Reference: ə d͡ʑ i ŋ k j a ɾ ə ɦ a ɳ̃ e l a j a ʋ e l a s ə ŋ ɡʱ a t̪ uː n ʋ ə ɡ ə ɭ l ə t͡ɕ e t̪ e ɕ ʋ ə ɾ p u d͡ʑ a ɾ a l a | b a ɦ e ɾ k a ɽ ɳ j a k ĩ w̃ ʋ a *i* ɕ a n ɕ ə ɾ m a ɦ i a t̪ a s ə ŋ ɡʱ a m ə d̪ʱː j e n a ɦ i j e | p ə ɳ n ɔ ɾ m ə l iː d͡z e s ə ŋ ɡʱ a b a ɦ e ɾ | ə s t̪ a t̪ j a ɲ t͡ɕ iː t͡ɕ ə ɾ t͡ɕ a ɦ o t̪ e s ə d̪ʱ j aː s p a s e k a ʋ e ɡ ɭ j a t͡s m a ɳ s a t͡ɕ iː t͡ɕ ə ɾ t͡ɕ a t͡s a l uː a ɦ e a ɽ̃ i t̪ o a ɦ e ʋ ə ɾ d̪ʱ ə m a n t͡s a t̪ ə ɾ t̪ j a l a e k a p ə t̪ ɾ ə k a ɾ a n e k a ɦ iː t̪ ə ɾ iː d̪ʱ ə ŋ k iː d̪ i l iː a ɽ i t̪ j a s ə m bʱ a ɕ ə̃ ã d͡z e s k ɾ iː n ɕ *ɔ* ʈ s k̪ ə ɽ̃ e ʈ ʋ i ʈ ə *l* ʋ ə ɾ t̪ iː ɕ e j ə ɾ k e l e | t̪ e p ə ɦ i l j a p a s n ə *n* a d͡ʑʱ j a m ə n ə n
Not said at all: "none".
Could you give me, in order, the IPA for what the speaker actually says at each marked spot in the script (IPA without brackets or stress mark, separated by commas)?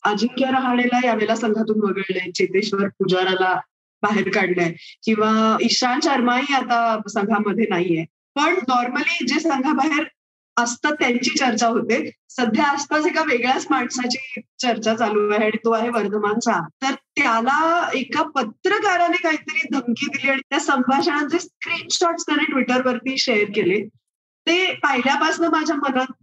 i, ɔ, ɾ, m